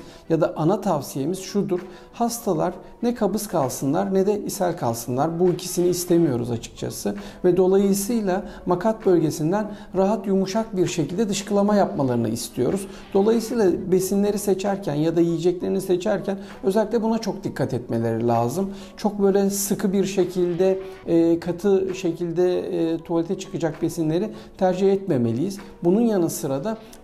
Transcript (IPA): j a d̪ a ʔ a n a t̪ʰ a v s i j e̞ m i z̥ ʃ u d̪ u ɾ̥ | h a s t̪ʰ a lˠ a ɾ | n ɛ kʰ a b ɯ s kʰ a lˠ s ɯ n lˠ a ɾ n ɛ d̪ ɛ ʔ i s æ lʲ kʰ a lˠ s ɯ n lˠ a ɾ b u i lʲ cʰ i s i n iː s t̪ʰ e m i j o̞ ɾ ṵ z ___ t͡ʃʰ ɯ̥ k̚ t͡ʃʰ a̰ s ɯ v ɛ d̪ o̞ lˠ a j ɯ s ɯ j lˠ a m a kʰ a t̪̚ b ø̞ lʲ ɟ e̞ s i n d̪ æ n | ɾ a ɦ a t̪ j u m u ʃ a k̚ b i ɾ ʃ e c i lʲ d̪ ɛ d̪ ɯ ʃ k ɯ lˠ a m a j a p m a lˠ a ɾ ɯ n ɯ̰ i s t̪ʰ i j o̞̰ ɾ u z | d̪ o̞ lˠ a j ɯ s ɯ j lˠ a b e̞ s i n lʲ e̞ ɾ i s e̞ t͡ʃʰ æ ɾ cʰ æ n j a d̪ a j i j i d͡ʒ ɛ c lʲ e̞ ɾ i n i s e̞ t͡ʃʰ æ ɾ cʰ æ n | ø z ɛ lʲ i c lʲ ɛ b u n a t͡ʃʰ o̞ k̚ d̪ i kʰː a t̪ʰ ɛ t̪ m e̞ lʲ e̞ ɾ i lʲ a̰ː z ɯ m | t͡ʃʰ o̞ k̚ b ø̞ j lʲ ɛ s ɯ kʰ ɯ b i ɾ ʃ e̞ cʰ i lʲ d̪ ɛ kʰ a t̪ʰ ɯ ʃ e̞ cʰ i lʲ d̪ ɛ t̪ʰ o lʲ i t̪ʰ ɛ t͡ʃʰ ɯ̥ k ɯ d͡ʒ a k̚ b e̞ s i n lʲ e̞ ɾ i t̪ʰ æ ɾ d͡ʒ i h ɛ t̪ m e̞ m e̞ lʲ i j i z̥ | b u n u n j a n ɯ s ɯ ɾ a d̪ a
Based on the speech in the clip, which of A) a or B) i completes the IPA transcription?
A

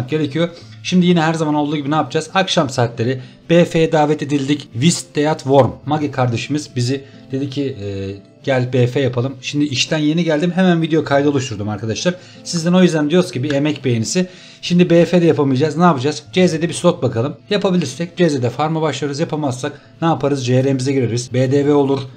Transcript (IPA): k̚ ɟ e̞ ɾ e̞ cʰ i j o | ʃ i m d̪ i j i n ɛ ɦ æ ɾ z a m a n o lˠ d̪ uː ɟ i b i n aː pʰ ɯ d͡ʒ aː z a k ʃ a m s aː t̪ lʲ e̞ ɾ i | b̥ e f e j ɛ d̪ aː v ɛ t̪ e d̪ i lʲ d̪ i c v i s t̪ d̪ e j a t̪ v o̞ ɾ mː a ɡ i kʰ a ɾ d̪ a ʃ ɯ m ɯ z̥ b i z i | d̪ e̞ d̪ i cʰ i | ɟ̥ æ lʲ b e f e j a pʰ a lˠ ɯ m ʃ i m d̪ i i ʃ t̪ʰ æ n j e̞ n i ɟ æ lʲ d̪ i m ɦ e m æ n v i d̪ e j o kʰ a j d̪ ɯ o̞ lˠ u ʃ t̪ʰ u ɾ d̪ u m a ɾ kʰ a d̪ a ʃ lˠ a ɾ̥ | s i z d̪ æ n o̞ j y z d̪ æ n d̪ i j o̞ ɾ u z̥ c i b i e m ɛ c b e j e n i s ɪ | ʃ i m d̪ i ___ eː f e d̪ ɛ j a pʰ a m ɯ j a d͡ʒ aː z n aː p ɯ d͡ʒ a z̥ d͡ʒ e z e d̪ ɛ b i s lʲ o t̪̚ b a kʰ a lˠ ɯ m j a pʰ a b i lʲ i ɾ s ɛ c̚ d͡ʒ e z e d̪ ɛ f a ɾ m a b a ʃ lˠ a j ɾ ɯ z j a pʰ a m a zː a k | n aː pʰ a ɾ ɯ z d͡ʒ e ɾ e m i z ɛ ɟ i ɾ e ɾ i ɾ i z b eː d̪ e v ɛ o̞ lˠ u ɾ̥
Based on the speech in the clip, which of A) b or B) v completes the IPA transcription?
A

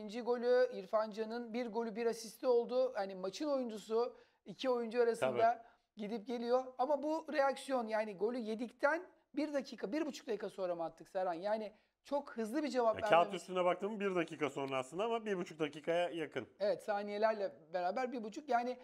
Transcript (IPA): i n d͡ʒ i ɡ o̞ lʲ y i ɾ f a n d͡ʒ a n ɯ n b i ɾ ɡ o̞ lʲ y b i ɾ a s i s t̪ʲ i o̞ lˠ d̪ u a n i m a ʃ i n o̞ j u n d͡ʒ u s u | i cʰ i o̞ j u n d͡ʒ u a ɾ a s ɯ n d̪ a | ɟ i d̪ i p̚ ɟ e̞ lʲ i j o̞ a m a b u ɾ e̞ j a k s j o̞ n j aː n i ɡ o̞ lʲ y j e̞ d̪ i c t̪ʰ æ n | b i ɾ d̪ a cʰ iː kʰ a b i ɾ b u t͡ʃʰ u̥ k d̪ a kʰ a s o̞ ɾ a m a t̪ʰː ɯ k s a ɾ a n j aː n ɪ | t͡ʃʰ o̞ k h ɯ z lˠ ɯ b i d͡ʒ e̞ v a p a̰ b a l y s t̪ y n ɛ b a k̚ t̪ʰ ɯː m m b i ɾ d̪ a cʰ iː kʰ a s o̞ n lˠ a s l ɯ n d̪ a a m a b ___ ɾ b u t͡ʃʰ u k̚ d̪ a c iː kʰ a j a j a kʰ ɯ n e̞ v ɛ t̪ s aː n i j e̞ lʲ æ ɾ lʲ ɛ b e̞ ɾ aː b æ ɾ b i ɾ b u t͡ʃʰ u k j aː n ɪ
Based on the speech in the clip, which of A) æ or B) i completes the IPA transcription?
B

